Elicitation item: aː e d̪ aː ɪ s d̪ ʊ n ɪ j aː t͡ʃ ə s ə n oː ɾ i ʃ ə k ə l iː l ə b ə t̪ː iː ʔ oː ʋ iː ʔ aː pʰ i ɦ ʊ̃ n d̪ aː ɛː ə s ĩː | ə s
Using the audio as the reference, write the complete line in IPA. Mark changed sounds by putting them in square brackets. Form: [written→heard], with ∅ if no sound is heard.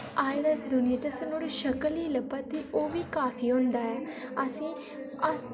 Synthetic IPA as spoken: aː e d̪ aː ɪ s d̪ ʊ n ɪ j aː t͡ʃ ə s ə n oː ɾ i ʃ ə k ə l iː l ə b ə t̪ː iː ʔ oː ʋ iː [ʔ→k] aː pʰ [i→iː] ɦ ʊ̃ n d̪ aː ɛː ə s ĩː | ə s